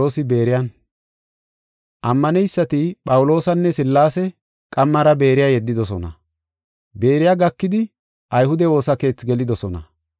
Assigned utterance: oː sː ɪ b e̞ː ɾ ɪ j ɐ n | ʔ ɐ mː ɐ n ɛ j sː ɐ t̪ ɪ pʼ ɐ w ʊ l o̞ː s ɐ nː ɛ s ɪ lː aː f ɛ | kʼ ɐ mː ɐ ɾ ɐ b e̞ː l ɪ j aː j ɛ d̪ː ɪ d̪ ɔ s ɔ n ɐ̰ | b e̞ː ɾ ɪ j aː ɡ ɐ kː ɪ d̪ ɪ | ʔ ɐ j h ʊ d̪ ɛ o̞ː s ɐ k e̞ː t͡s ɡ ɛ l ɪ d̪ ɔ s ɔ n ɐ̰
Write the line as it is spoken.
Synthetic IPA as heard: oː s ɪ b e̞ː ɾ ɪ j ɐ n | ʔ ɐ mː ɐ n ɛ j sː ɐ t̪ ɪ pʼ ɐ w ʊ l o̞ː s ɐ nː ɛ s ɪ lː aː s ɛ | kʼ ɐ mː ɐ ɾ ɐ b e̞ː ɾ ɪ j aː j ɛ d̪ː ɪ d̪ ɔ s ɔ n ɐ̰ | b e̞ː ɾ ɪ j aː ɡ ɐ kː ɪ d̪ ɪ | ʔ ɐ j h ʊ d̪ ɛ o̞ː s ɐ k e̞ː t͡s ɡ ɛ l ɪ d̪ ɔ s ɔ n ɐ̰